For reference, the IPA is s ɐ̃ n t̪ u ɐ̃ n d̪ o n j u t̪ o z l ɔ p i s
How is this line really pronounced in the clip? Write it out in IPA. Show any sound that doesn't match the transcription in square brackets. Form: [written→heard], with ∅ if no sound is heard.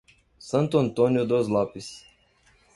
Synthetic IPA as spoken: s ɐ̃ n t̪ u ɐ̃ n [d̪→t̪] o n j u [t̪→d̪] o z l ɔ p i s

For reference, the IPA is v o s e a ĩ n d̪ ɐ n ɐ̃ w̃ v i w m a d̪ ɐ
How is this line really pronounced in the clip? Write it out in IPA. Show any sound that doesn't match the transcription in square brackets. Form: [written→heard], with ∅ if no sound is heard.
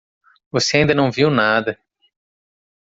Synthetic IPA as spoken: v o s e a ĩ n d̪ ɐ n ɐ̃ w̃ v i w [m→n] a d̪ ɐ

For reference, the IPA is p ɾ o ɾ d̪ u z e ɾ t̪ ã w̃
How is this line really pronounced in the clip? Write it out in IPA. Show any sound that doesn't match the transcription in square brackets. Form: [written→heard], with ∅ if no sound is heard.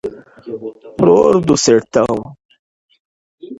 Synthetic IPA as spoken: p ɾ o ɾ d̪ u [z→s] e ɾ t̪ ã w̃

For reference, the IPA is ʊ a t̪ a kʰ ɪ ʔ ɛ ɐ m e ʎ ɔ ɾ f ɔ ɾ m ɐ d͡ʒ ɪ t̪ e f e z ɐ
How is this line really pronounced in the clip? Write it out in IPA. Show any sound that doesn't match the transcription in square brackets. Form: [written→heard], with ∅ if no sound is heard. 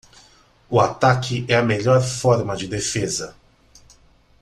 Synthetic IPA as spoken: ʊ a t̪ a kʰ ɪ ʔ ɛ ɐ m e ʎ ɔ ɾ f ɔ ɾ m ɐ d͡ʒ ɪ [t̪→d̪] e f e z ɐ

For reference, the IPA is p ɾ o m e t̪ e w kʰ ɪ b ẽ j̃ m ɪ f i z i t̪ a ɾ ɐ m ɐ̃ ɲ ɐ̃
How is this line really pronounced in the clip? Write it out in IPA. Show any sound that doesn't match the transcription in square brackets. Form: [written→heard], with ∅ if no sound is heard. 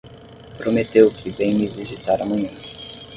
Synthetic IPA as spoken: p ɾ o m e t̪ e w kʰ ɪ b ẽ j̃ m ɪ [f→v] i z i t̪ a ɾ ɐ m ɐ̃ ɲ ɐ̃

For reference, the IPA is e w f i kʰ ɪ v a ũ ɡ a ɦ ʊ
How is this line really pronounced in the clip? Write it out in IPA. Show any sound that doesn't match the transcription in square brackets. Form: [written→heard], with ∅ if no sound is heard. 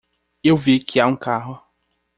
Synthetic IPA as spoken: e w [f→v] i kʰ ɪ [v→∅] a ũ [ɡ→k] a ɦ ʊ

